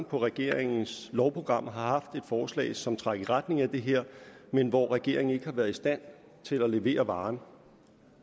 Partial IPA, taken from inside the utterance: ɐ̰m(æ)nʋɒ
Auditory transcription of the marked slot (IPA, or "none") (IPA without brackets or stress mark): e